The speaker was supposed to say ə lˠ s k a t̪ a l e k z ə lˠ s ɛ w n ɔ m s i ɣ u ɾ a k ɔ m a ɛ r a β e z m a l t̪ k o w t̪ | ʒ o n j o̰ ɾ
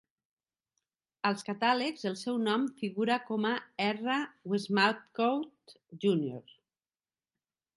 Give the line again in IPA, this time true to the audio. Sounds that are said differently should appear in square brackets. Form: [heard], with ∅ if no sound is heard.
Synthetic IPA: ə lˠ s k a t̪ a l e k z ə lˠ s ɛ w n ɔ m [f] i ɣ u ɾ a k ɔ m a ɛ r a [w] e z m a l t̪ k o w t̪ | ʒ [u] n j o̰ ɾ